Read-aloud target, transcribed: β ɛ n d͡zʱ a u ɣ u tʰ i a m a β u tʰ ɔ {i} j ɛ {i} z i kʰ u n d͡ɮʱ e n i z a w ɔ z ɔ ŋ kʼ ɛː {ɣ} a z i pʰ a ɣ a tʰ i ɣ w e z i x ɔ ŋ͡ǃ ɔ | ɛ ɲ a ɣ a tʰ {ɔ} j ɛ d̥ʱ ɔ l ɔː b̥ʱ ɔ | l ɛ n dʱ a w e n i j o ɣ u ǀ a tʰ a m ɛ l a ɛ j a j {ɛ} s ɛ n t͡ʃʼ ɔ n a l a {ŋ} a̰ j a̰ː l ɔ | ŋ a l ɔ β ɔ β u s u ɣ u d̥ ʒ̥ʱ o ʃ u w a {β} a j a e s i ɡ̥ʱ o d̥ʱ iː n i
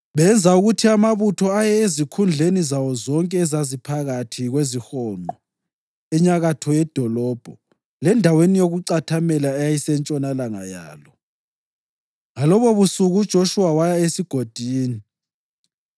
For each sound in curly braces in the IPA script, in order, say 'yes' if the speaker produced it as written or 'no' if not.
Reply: no, no, no, yes, no, yes, no

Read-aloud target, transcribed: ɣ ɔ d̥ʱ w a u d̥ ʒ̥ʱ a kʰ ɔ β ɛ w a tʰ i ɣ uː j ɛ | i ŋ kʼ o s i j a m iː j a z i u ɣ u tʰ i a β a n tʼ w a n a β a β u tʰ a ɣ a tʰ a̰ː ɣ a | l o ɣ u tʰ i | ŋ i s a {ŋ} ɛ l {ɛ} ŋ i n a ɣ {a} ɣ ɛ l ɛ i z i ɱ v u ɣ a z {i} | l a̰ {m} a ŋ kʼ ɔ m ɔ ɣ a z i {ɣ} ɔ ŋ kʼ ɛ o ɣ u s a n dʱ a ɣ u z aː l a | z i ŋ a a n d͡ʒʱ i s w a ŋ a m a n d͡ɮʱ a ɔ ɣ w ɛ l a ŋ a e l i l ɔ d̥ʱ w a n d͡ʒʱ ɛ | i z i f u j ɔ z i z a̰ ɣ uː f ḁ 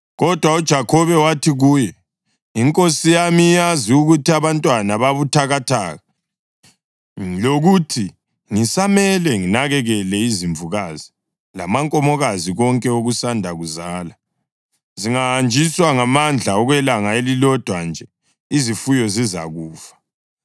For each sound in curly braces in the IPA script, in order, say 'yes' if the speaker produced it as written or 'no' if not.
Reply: no, yes, no, yes, yes, yes

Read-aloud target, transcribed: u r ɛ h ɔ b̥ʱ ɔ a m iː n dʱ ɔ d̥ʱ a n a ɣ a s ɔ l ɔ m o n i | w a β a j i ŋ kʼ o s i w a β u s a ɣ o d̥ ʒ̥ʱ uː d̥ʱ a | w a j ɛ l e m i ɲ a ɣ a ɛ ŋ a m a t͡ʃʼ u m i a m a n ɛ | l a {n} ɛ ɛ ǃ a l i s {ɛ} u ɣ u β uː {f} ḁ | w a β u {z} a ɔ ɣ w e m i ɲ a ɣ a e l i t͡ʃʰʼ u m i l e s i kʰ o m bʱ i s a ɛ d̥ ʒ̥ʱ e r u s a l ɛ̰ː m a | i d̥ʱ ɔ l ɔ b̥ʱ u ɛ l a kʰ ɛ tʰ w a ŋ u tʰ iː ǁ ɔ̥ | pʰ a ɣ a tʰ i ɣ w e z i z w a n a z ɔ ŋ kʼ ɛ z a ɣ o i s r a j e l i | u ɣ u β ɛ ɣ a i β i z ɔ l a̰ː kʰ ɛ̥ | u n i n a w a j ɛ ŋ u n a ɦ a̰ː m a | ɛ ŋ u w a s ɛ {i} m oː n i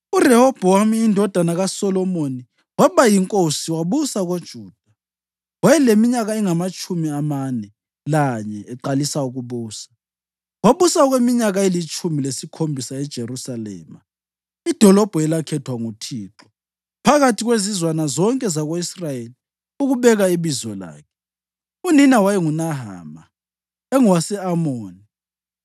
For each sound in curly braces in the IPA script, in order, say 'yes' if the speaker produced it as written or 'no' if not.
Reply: no, no, no, no, no

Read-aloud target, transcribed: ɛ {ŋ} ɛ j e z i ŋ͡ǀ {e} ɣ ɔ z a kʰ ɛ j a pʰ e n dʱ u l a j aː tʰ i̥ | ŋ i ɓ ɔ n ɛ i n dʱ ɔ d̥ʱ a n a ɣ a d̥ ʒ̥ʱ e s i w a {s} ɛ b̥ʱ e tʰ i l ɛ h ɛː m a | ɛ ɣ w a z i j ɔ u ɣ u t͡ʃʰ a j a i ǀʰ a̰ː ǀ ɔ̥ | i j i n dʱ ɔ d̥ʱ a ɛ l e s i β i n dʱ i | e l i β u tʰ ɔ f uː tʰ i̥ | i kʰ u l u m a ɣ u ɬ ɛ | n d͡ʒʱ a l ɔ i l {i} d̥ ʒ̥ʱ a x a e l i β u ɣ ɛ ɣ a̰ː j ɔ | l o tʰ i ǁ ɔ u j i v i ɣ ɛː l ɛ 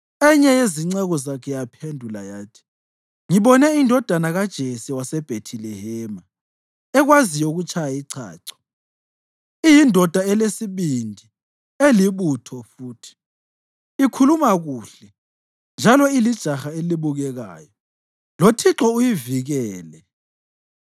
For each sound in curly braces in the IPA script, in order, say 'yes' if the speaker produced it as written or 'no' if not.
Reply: no, no, yes, yes

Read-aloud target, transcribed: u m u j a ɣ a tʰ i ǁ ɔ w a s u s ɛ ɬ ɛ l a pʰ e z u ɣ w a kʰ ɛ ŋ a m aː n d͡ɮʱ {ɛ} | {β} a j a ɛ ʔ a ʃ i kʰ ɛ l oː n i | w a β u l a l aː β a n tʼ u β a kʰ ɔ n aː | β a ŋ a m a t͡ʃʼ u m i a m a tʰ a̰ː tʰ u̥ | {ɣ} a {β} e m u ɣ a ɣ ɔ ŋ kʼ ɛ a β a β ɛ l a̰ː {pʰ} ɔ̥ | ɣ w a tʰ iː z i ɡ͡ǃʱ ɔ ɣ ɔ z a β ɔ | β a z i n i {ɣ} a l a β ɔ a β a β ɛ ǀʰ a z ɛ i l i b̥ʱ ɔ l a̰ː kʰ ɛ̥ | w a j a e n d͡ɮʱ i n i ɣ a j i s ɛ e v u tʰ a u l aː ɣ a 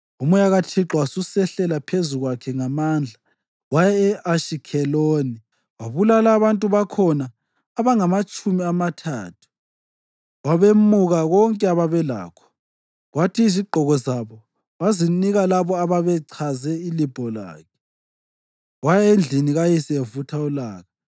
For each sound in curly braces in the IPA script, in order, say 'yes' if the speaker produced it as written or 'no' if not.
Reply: no, no, no, yes, no, yes

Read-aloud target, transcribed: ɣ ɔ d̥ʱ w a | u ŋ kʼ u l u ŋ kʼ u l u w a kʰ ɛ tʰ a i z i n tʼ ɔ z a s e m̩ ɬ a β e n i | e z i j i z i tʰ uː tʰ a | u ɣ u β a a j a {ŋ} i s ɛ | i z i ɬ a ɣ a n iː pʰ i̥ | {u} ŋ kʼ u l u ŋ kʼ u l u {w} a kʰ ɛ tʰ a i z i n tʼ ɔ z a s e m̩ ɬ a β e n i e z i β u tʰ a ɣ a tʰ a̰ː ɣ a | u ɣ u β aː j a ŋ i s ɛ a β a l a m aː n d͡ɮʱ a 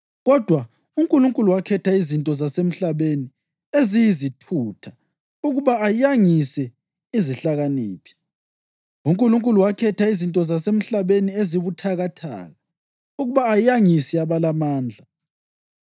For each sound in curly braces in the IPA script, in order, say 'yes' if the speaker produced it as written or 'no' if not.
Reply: yes, yes, yes

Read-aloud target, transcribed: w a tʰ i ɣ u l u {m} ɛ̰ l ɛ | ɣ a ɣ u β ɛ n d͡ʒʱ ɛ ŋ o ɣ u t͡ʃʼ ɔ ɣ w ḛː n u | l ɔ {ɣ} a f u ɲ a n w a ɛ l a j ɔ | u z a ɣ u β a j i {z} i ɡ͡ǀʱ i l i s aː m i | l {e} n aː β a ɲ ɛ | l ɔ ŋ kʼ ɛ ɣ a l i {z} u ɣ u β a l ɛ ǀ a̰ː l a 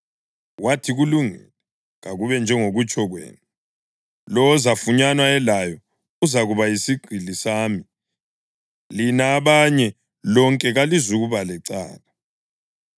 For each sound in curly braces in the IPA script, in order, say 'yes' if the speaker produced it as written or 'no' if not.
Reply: no, no, no, no, yes

